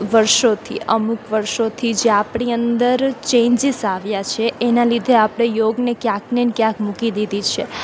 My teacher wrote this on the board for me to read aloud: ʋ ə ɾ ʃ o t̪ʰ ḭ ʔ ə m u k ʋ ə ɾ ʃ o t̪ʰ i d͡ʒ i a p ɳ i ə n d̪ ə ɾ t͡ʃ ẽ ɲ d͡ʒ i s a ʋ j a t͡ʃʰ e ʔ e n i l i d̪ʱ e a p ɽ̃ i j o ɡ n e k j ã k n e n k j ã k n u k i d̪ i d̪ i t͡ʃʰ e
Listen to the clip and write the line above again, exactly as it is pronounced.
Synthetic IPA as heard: ʋ ə ɾ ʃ o t̪ʰ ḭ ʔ ə m u k ʋ ə ɾ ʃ o t̪ʰ i d͡ʒ e a p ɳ i ə n d̪ ə ɾ t͡ʃ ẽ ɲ d͡ʒ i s a ʋ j a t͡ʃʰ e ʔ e n a l i d̪ʱ e a p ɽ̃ e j o ɡ n e k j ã k n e n k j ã k m u k i d̪ i d̪ i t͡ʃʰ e